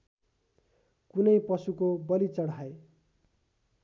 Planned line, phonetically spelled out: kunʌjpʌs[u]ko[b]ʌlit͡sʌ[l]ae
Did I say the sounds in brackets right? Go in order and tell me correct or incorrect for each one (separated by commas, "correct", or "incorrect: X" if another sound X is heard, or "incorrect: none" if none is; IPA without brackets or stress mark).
correct, correct, incorrect: ɽ